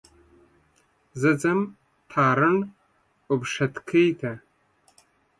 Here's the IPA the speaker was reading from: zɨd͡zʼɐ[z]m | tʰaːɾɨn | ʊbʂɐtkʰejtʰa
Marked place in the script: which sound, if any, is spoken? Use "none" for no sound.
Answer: none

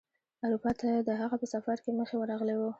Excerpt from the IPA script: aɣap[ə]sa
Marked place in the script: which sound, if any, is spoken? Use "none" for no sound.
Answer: ə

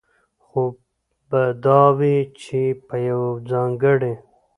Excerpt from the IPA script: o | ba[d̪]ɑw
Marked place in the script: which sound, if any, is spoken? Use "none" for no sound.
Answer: d̪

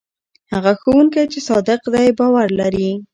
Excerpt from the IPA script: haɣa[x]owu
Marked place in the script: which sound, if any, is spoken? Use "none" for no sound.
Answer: x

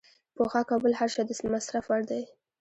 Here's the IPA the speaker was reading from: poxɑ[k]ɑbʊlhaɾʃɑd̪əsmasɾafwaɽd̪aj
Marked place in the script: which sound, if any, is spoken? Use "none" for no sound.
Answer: k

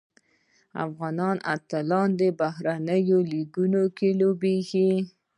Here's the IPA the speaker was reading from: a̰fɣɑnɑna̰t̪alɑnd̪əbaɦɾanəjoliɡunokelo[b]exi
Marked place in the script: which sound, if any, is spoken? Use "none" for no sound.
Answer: b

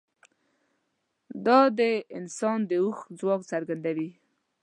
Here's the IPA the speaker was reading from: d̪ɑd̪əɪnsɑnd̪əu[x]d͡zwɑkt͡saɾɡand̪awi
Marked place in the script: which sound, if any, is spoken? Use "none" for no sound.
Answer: x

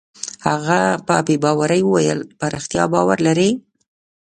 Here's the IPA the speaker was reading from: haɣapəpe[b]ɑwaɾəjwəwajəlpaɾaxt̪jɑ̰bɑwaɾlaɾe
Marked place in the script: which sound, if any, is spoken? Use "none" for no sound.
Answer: b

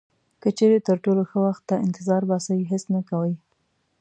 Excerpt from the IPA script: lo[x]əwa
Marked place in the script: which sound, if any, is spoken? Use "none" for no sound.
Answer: x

